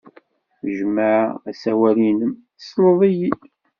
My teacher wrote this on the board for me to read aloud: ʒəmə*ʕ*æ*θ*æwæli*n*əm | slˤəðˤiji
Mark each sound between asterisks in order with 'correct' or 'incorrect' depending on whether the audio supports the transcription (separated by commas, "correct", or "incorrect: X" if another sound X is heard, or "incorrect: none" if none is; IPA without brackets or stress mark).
correct, incorrect: s, correct